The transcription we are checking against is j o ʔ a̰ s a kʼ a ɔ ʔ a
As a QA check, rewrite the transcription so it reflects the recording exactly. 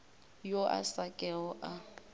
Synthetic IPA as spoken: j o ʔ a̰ s a kʼ ɛ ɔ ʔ a